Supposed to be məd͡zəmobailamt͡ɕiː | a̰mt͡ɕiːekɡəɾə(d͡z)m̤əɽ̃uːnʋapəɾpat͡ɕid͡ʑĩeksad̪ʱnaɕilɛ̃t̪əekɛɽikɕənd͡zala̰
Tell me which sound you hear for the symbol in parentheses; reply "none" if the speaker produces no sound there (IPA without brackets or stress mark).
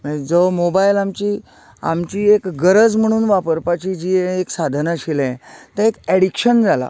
d͡z